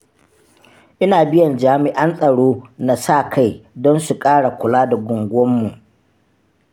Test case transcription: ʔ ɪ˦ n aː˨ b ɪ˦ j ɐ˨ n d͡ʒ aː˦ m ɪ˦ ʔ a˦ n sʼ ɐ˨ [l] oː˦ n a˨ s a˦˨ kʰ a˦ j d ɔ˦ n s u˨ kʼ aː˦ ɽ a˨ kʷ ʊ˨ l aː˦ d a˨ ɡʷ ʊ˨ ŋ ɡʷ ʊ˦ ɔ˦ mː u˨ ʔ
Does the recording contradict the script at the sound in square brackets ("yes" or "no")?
yes